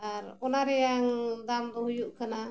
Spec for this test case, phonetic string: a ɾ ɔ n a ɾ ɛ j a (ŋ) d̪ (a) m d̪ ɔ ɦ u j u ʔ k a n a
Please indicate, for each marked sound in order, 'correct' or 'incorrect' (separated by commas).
correct, correct